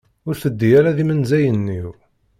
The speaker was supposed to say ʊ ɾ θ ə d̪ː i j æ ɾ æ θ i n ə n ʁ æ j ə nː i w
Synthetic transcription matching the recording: ʊ ɾ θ ə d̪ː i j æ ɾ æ ð i m ə n z æ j ə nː i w